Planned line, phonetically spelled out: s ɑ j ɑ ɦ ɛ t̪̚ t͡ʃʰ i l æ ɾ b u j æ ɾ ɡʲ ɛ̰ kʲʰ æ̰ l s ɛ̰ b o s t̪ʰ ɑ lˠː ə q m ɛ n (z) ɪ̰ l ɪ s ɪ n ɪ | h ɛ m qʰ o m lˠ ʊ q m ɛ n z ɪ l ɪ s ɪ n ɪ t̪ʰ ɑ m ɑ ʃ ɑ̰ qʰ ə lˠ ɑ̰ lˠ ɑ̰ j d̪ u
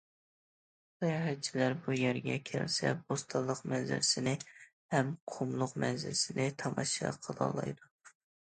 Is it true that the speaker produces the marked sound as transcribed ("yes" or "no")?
yes